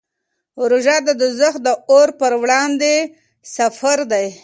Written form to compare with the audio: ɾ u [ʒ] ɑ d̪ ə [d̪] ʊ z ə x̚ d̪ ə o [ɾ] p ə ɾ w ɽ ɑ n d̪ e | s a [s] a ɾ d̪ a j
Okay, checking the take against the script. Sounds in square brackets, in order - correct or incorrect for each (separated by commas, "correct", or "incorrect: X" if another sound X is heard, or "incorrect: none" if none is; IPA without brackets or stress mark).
correct, correct, correct, incorrect: f